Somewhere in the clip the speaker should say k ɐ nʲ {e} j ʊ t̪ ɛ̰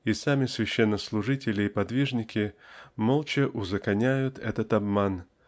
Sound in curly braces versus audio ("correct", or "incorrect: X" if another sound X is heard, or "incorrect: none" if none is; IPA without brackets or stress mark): incorrect: æ